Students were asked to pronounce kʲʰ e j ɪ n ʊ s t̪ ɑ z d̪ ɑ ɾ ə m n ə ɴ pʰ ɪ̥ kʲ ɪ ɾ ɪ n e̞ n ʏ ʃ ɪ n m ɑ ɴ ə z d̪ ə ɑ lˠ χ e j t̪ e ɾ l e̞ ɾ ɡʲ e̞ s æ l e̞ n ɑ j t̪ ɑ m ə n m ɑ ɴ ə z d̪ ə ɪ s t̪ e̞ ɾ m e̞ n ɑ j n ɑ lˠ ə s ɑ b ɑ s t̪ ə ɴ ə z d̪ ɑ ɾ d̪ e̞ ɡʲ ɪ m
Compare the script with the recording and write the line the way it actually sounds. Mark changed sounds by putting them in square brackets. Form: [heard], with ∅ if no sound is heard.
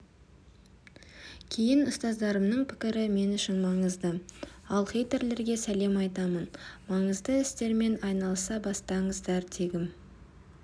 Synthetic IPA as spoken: kʲʰ e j ɪ n ʊ s t̪ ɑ z d̪ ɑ ɾ ə m n ə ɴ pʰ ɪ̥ kʲ ɪ ɾ ɪ [m] e̞ n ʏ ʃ ɪ n m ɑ ɴ ə z d̪ ə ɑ lˠ χ e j t̪ e ɾ l e̞ ɾ ɡʲ e̞ s æ l e̞ [m] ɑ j t̪ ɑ m ə n m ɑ ɴ ə z d̪ ə ɪ s t̪ e̞ ɾ m e̞ n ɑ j n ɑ lˠ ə s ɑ b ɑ s t̪ [ɑ] ɴ ə z d̪ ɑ ɾ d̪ e̞ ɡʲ ɪ m

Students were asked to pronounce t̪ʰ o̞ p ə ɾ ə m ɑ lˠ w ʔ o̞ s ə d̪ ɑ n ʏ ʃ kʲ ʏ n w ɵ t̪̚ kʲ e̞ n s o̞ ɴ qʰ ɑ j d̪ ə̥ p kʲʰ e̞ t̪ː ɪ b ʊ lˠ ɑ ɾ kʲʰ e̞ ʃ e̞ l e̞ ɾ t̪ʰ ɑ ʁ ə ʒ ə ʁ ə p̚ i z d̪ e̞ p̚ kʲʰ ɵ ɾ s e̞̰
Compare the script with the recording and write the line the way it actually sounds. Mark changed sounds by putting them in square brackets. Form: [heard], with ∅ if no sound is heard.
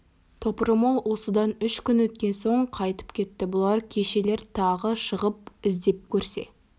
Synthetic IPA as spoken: t̪ʰ o̞ p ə ɾ ə m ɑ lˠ w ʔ o̞ s ə d̪ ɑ n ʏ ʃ kʲ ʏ n w ɵ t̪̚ kʲ e̞ n s o̞ ɴ qʰ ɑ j [t̪] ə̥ p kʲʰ e̞ t̪ː ɪ b ʊ lˠ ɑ ɾ kʲʰ e̞ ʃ e̞ l e̞ ɾ t̪ʰ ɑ ʁ ə [ʃ] ə ʁ ə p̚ [ɪ] z d̪ e̞ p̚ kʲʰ ɵ ɾ s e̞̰

